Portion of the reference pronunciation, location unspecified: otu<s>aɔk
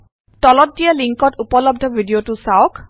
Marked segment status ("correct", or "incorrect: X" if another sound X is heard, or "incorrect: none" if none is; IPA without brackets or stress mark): correct